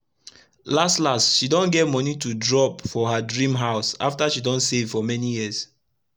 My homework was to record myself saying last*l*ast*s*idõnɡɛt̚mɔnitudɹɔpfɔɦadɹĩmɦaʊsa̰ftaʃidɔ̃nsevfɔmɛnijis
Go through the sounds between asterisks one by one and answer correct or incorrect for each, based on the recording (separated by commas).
correct, incorrect